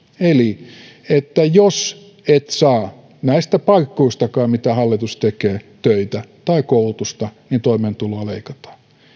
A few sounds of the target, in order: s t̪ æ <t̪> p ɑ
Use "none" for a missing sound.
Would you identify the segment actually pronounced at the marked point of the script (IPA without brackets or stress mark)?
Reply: none